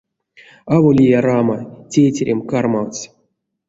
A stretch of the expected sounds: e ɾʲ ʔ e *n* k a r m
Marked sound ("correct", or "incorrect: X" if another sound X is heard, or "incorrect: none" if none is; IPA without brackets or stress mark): incorrect: m